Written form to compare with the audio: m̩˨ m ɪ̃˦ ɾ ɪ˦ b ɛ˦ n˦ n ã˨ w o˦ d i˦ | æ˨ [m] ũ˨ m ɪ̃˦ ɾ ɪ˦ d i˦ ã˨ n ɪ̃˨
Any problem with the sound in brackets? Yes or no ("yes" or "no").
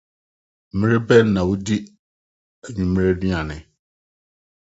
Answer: yes